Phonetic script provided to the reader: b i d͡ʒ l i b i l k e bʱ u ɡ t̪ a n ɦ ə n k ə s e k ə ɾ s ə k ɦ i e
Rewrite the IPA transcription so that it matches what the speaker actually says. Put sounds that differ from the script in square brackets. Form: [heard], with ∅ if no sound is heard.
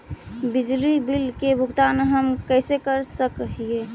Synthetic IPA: b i d͡ʒ l i b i l k e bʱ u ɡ t̪ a n ɦ ə [m] k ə s e k ə ɾ s ə k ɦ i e